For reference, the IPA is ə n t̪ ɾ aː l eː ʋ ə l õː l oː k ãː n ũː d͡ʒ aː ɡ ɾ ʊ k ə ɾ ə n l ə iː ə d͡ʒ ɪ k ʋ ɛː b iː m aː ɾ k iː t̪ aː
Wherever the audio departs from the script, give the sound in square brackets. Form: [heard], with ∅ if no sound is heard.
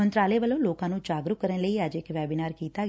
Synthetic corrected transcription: ə n t̪ ɾ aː l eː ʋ ə l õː l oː k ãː n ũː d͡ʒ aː ɡ ɾ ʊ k ə ɾ ə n l ə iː ə d͡ʒ ɪ k ʋ ɛː b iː [n] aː ɾ k iː t̪ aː

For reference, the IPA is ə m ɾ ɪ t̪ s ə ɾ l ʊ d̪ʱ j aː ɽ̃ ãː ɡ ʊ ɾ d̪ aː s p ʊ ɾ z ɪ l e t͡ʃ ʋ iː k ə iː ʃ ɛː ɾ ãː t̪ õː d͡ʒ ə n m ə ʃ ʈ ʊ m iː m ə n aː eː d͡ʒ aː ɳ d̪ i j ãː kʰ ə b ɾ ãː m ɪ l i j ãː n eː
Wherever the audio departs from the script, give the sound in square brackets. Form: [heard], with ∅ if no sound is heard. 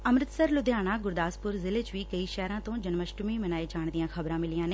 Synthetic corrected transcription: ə m ɾ ɪ t̪ s ə ɾ l ʊ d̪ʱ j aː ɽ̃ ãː ɡ ʊ ɾ d̪ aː s p ʊ ɾ z ɪ l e t͡ʃ ʋ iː k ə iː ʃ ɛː ɾ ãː t̪ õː d͡ʒ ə n m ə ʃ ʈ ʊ m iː m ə n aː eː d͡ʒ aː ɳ d̪ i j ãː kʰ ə b ɾ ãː m ɪ l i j ãː n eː

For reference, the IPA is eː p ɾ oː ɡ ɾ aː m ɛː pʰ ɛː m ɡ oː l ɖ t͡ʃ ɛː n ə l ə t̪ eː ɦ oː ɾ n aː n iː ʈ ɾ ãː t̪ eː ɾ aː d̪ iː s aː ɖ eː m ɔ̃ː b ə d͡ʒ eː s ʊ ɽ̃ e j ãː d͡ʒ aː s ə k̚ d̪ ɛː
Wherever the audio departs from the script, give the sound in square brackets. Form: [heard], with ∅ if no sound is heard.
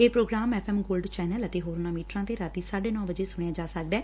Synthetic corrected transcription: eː p ɾ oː ɡ ɾ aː m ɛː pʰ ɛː m ɡ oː l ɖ t͡ʃ ɛː n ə l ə t̪ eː ɦ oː ɾ n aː [m] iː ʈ ɾ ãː t̪ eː ɾ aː [t̪] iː s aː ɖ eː [n] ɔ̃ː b ə d͡ʒ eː s ʊ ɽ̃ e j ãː d͡ʒ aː s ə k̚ d̪ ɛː

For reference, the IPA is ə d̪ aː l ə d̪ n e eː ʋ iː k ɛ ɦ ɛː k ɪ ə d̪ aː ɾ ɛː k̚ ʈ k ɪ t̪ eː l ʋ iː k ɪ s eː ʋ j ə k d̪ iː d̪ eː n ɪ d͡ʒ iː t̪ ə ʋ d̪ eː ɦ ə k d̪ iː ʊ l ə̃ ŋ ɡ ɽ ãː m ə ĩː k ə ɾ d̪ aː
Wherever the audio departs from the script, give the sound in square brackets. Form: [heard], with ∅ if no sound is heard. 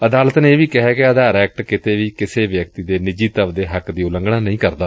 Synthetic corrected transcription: ə d̪ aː l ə [t̪] n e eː ʋ iː k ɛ ɦ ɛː k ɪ ə d̪ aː ɾ ɛː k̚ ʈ k ɪ t̪ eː [∅] ʋ iː k ɪ s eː ʋ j ə k [t̪] iː d̪ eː n ɪ d͡ʒ iː t̪ ə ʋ d̪ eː ɦ ə k d̪ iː ʊ l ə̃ ŋ ɡ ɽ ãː [n] ə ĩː k ə ɾ d̪ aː

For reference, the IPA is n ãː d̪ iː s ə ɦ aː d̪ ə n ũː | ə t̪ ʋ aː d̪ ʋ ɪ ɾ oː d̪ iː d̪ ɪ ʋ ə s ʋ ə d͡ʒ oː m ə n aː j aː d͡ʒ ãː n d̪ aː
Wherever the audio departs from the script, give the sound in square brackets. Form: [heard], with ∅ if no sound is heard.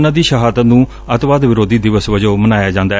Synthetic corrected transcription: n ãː d̪ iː [ʃ] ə ɦ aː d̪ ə n ũː | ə t̪ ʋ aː d̪ ʋ ɪ ɾ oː d̪ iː d̪ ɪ ʋ ə s ʋ ə d͡ʒ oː m ə n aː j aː d͡ʒ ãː n d̪ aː

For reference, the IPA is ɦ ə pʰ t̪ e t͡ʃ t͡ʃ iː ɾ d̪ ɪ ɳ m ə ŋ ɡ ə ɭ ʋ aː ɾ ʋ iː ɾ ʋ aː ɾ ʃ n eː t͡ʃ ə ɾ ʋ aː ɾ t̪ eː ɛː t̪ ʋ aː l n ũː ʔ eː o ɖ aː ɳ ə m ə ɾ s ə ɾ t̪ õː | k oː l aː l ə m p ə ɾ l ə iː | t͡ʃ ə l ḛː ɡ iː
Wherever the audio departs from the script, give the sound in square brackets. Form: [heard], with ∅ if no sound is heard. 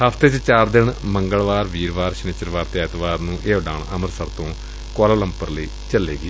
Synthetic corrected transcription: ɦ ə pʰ t̪ e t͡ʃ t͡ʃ [aː] ɾ d̪ ɪ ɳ m ə ŋ ɡ ə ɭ ʋ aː ɾ ʋ iː ɾ ʋ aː ɾ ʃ n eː t͡ʃ ə ɾ ʋ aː ɾ t̪ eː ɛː t̪ ʋ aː [ɾ] n ũː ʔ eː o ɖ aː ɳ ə m ə ɾ s ə ɾ t̪ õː | k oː l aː l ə m p ə ɾ l ə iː | t͡ʃ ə l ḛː ɡ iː

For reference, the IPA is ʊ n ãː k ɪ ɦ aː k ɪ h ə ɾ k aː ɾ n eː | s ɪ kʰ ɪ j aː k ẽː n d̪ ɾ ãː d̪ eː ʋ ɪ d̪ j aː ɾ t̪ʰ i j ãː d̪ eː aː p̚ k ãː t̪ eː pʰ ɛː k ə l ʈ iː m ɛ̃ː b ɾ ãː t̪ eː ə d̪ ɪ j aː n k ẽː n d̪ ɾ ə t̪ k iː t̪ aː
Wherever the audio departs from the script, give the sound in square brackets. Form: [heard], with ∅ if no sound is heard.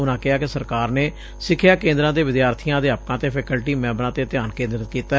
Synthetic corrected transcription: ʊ n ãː k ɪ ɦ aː k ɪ [s] ə ɾ k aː ɾ n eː | s ɪ kʰ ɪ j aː k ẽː n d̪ ɾ ãː d̪ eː ʋ ɪ d̪ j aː ɾ t̪ʰ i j ãː d̪ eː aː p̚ k ãː t̪ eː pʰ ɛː k ə l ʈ iː m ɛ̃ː b ɾ ãː t̪ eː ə [t̪] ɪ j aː n k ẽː n d̪ ɾ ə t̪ k iː t̪ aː

